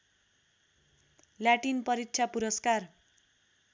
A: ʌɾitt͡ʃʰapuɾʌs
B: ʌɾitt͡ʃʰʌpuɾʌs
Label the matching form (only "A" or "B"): A